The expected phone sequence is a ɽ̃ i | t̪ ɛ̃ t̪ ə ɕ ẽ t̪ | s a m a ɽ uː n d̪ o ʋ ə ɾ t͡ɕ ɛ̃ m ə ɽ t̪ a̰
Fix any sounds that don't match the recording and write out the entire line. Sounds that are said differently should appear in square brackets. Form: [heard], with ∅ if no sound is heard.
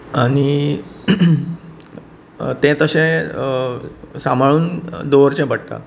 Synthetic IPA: a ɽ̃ i | t̪ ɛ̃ t̪ ə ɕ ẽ [∅] | s a m a [ɭ] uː n d̪ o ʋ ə ɾ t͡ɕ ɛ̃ [b] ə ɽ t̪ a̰